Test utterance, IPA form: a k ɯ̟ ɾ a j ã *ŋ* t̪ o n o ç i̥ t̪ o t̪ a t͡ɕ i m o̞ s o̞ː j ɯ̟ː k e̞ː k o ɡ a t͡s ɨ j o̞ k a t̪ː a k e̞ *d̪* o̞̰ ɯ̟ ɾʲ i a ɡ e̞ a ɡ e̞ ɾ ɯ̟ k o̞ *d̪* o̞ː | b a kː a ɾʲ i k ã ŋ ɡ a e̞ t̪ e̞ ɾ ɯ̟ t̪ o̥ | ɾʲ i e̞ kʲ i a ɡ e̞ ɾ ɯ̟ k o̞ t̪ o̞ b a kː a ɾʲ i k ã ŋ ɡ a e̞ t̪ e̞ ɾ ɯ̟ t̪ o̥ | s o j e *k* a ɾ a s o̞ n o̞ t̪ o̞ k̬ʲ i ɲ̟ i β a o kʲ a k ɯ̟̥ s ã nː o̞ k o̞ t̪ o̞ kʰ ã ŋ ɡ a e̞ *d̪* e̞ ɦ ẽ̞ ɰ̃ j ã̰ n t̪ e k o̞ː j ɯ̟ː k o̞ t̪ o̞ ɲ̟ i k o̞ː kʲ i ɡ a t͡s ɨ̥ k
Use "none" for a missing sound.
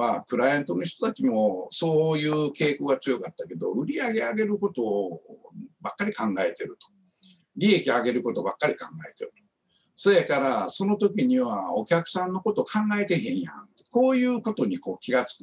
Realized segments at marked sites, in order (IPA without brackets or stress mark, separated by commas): n, d̪, t̪, k, t̪